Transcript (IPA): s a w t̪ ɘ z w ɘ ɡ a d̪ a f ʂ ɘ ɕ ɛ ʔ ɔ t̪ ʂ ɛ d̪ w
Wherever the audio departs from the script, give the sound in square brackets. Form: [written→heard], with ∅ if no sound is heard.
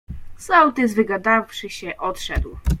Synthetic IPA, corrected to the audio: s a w t̪ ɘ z [w→v] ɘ ɡ a d̪ a f ʂ ɘ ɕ ɛ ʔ ɔ t̪ ʂ ɛ d̪ w